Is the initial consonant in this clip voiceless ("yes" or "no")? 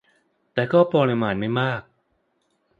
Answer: yes